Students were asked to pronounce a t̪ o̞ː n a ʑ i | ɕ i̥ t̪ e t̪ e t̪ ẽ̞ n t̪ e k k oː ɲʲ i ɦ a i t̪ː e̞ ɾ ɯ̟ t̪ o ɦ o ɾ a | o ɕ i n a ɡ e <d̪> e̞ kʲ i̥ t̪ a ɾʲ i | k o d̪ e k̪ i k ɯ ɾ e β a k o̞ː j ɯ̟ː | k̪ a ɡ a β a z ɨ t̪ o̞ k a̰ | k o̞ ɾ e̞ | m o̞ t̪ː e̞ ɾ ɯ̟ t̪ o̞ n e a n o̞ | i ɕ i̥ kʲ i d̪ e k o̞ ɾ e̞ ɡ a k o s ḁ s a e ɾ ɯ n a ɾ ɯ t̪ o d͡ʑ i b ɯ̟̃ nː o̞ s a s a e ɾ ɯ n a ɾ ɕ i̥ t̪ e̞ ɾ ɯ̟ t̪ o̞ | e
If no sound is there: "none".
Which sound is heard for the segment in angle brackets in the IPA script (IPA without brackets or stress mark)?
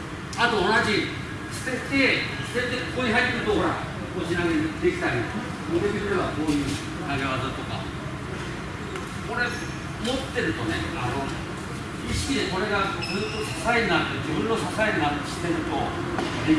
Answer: d̪